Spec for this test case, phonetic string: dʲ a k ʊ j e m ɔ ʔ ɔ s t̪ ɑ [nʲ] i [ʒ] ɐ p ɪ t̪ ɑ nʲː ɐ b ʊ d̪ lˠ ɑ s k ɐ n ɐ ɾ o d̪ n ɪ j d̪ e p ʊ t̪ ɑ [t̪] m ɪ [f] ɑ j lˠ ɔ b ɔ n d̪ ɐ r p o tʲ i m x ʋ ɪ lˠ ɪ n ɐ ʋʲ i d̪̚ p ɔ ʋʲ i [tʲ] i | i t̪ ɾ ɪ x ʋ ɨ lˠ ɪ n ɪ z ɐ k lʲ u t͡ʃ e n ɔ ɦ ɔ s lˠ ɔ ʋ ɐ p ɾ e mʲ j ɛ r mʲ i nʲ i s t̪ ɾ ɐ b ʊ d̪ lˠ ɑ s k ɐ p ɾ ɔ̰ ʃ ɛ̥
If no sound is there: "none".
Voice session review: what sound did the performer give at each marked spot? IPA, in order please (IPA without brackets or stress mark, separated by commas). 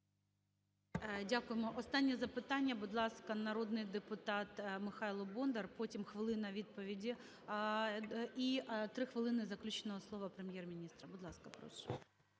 nʲː, z, t̪, x, dʲ